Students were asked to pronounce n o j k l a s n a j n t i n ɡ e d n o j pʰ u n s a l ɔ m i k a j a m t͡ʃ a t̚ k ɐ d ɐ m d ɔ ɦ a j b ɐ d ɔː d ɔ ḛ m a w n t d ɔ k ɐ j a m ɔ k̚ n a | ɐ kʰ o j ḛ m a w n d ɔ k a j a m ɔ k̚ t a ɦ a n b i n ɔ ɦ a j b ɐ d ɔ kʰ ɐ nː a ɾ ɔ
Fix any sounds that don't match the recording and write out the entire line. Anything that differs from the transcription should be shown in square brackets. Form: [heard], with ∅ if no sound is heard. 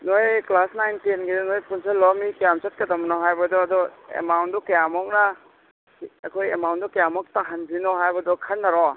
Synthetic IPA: n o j k l a s n a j n t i n ɡ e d n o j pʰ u n s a l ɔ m i k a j a m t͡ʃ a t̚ k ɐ d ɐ m [n] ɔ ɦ a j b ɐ d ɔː d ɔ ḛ m a w n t d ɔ k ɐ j a m ɔ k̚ n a | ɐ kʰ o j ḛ m a w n d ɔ k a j a m ɔ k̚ t a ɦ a n b i n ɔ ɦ a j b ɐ d ɔ kʰ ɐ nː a ɾ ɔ